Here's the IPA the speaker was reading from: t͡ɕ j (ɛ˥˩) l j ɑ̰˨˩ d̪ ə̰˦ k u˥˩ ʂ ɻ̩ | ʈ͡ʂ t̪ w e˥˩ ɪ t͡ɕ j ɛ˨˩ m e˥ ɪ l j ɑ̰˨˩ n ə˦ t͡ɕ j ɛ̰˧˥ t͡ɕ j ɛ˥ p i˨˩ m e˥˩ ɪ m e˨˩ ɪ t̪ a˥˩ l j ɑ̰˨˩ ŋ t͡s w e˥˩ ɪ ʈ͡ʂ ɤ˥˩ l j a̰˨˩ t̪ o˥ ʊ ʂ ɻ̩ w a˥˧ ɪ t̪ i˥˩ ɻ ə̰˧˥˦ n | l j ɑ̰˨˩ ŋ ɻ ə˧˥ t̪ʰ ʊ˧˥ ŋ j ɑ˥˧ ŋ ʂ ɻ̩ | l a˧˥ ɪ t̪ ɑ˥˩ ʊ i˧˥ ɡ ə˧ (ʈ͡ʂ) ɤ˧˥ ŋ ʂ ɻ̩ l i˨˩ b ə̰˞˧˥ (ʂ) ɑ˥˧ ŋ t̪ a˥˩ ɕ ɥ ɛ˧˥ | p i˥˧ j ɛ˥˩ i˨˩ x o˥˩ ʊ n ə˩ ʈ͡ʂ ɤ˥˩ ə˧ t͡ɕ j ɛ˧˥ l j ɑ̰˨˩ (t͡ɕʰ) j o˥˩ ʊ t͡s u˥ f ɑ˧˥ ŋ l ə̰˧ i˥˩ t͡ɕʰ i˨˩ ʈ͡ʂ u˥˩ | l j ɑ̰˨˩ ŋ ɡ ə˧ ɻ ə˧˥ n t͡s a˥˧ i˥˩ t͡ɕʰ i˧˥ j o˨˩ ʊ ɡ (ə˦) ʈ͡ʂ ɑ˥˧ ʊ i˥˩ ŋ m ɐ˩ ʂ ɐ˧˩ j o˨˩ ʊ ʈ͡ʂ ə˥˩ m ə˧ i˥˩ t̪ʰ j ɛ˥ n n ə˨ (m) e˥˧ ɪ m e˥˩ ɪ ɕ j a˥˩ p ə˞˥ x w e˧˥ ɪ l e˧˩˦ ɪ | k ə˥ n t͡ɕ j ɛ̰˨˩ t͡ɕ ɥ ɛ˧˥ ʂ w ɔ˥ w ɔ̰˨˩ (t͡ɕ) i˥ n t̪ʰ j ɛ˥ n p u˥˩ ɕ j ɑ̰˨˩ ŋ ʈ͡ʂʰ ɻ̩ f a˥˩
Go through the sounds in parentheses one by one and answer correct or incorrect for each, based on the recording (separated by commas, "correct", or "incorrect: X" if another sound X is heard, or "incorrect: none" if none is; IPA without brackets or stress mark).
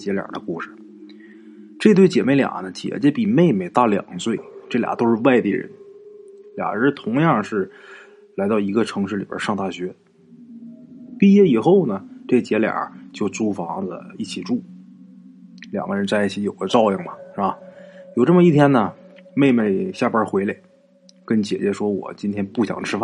incorrect: ɛ˧˥, incorrect: ʈ͡ʂʰ, correct, incorrect: t͡ɕ, correct, correct, correct